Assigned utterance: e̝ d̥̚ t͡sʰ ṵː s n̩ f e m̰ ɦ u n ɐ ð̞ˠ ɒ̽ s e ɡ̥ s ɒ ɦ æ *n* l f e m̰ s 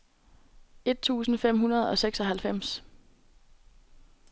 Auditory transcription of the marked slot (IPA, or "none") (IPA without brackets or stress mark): none